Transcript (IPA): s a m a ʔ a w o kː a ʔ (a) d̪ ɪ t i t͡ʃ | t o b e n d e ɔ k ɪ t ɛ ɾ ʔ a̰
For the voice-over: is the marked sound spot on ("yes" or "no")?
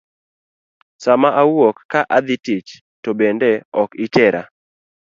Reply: yes